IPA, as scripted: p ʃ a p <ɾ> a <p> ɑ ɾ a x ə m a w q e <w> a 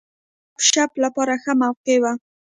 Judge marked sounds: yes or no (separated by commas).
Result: no, yes, yes